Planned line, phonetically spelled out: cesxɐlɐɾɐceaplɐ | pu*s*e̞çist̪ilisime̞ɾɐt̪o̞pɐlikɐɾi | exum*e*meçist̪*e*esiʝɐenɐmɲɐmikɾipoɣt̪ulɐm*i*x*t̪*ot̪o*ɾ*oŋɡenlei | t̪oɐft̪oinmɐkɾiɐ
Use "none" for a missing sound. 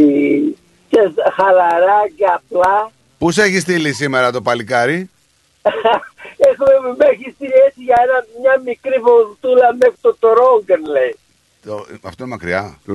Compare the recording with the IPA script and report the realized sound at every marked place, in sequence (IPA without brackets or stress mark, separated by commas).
s, e, i, e, t̪, ɾ